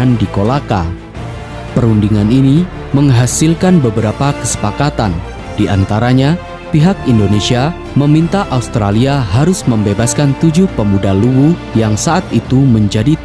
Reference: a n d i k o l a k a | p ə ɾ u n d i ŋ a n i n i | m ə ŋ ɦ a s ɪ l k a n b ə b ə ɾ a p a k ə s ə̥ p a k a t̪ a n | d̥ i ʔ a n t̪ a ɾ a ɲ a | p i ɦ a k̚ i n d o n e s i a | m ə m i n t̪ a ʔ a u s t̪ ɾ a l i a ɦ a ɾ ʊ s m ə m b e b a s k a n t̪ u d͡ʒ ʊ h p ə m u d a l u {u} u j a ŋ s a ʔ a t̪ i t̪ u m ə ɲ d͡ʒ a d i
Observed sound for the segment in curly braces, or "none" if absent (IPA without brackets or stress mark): w